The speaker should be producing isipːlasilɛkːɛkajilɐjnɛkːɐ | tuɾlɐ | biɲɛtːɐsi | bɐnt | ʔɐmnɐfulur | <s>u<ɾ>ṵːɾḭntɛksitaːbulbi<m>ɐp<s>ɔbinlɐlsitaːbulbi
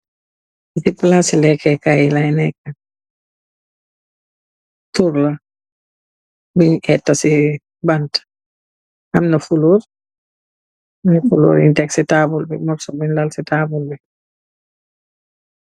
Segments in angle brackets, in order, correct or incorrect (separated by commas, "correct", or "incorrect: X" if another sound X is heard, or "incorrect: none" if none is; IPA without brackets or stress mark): incorrect: f, incorrect: l, correct, correct